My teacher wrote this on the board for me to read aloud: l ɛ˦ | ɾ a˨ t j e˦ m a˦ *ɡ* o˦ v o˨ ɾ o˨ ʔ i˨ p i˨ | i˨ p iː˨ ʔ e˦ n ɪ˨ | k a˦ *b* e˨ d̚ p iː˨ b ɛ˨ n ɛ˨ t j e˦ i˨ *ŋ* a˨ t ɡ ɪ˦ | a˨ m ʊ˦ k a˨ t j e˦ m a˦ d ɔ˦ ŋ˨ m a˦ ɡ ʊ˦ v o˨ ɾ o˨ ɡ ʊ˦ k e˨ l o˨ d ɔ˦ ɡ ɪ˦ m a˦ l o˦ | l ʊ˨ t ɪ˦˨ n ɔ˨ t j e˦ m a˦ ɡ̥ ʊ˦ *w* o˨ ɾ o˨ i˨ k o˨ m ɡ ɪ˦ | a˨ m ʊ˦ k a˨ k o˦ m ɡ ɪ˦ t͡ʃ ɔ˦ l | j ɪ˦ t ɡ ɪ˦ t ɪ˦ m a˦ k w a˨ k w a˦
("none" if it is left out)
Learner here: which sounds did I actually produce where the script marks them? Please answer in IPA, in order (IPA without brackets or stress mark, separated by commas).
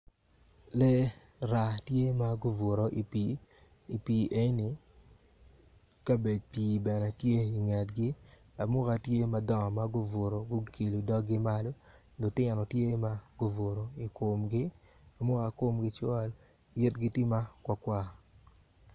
ɡ, b, ŋ, v